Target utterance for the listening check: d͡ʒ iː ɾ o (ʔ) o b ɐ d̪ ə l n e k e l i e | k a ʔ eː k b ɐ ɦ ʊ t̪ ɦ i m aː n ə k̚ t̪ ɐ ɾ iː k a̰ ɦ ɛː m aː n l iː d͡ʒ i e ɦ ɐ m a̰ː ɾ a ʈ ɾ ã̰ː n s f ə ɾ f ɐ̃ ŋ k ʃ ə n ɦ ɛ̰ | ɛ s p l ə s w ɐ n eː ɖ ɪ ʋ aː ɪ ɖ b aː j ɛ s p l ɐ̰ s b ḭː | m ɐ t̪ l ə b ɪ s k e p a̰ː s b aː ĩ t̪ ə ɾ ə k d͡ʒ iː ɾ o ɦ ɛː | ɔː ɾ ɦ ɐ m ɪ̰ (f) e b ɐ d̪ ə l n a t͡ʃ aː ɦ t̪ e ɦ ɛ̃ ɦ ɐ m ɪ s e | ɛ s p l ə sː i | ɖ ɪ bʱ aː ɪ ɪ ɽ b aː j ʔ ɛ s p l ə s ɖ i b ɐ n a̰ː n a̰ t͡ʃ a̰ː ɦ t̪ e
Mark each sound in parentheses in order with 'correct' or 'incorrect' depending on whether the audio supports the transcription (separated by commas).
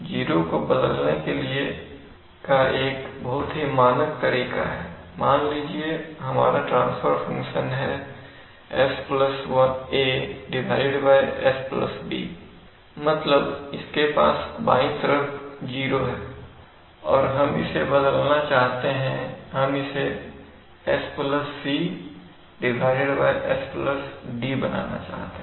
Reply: incorrect, incorrect